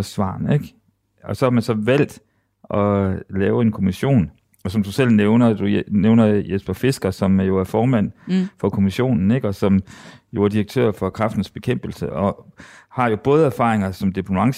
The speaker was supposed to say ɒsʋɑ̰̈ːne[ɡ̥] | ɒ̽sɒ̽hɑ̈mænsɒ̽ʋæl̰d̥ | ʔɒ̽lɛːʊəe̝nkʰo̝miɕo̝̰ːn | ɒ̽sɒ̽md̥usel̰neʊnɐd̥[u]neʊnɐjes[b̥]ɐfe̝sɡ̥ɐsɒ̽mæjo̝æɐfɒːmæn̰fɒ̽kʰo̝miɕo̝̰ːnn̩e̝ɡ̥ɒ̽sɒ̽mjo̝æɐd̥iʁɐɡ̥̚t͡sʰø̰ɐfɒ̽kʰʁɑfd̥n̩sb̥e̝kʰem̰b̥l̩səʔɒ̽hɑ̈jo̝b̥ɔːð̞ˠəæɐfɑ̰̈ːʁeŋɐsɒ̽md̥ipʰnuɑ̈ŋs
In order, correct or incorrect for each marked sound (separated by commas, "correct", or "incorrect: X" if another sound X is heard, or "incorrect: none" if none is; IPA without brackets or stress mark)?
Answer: correct, correct, correct